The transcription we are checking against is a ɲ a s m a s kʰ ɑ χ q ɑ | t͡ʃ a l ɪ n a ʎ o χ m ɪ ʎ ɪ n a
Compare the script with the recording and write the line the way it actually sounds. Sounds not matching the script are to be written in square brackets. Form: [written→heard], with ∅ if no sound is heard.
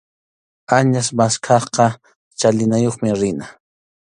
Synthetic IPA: a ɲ a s m a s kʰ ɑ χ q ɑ | t͡ʃ a l ɪ n a [ʎ→j] o χ m ɪ [ʎ→ɾ] ɪ n a